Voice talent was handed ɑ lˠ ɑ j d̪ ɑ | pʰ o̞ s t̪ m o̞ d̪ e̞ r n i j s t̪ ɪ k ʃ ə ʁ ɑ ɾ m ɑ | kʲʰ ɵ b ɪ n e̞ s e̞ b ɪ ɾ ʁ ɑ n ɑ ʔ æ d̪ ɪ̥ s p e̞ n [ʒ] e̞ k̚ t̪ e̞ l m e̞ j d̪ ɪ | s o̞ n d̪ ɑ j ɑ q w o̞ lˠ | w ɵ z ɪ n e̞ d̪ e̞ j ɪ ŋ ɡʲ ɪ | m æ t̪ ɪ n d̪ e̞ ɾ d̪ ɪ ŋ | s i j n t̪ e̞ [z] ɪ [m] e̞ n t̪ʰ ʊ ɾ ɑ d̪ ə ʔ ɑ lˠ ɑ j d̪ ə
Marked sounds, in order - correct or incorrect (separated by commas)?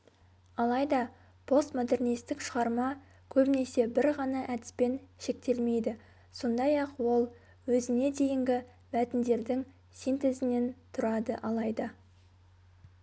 incorrect, correct, incorrect